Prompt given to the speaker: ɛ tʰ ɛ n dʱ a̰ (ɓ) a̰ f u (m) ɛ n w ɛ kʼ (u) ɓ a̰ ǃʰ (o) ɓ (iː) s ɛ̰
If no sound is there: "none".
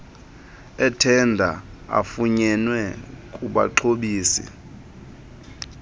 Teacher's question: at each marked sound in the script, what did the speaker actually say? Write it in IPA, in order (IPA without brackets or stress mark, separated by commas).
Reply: none, ɲ, u, o, iː